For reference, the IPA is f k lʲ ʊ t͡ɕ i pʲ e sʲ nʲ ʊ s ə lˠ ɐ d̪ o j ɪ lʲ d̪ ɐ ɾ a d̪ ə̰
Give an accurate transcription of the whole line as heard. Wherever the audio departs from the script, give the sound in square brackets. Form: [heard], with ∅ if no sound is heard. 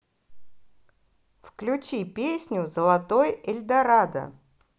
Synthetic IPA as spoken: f k lʲ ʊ t͡ɕ i pʲ e sʲ nʲ ʊ [z] ə lˠ ɐ [t̪] o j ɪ lʲ d̪ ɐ ɾ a d̪ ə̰